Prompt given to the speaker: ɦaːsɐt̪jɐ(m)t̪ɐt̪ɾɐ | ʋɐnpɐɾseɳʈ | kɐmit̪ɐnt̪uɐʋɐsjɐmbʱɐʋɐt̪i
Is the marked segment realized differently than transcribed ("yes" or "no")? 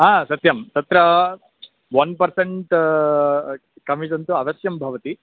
no